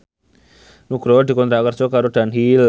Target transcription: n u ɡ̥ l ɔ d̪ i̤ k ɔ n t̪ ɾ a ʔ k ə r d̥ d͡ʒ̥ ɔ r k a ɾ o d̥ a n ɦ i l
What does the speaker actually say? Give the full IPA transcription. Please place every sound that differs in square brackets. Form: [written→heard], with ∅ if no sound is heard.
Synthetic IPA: n u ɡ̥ [l→ɾ] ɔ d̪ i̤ k ɔ n t̪ ɾ a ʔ k ə r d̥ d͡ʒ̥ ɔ [r→∅] k a ɾ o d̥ a n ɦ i l